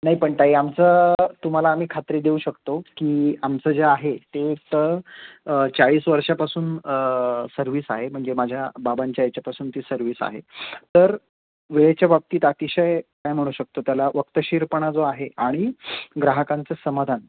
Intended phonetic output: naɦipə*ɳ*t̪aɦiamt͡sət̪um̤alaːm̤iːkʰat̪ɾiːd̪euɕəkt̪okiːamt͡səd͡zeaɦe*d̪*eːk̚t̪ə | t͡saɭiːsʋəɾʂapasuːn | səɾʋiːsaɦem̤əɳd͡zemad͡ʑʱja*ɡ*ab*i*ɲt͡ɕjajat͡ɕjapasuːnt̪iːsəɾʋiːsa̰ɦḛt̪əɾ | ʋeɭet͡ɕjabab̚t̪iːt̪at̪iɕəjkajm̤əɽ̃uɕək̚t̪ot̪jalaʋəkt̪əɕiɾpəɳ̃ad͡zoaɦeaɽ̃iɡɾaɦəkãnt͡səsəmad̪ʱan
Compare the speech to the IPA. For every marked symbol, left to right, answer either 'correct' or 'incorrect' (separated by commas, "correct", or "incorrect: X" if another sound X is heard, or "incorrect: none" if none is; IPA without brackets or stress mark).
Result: correct, incorrect: t̪, incorrect: b, incorrect: a